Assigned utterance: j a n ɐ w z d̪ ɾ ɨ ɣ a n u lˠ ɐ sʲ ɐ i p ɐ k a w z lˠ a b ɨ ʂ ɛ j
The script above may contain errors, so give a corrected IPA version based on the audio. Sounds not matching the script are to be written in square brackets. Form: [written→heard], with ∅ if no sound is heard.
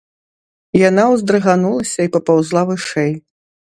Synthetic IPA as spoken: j a n [ɐ→a] w z d̪ ɾ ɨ ɣ a n u lˠ ɐ sʲ ɐ i p ɐ [k→p] a w z lˠ a [b→v] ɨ ʂ ɛ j